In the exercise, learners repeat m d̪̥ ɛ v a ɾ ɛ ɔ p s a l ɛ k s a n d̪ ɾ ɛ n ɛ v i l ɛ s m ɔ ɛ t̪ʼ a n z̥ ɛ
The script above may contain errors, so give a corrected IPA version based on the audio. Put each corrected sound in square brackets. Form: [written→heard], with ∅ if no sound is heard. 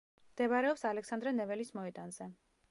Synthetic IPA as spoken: m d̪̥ ɛ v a ɾ ɛ ɔ p s a l ɛ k s a n d̪ ɾ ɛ n ɛ v [i→ɛ] l [ɛ→i] s m ɔ ɛ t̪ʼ a n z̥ ɛ